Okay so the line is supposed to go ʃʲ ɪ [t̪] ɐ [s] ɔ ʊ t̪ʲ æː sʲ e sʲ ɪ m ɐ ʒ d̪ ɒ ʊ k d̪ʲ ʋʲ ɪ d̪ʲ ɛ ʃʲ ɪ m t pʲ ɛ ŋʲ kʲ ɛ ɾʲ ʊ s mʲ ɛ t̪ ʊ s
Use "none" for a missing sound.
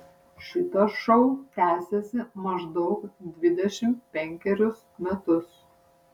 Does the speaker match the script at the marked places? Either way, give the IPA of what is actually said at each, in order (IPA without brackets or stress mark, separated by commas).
t̪, ʃ